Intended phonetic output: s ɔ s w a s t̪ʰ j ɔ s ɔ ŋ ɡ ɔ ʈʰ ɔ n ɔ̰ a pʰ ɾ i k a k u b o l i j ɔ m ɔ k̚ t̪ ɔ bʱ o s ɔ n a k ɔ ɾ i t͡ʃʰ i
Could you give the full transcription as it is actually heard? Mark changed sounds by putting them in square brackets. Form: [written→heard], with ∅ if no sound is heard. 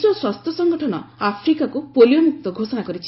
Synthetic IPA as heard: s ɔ s w a s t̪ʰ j ɔ s ɔ ŋ ɡ ɔ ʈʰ ɔ n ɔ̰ a pʰ ɾ i k a k u [b→p] o l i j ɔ m [ɔ→u] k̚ t̪ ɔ [bʱ→ɡʱ] o s ɔ n a k ɔ ɾ i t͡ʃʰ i